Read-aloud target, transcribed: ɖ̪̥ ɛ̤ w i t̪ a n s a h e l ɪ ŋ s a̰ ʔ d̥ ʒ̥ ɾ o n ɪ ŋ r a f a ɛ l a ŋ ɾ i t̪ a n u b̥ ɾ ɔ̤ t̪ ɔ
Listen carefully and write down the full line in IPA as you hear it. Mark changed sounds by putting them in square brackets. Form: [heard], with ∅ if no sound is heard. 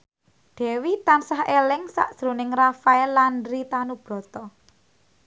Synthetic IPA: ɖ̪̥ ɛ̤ w i t̪ a n s a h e l ɪ ŋ s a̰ ʔ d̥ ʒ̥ ɾ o n ɪ ŋ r a f a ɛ l a [n] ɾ i t̪ a n u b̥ ɾ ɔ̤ t̪ ɔ